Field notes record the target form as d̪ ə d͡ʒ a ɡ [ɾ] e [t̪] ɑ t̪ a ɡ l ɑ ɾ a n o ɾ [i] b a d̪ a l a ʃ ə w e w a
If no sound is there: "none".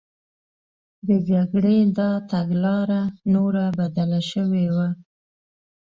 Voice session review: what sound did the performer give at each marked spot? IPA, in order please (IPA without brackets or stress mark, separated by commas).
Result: ɽ, d̪, a